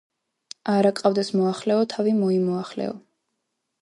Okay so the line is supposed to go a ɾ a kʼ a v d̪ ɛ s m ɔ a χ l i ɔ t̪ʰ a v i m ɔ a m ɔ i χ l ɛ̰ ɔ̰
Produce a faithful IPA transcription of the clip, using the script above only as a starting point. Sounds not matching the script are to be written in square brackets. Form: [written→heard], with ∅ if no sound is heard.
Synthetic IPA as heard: a ɾ a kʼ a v d̪ ɛ s m ɔ a χ l [i→ɛ] ɔ t̪ʰ a v i m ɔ [a→i] m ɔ [i→a] χ l ɛ̰ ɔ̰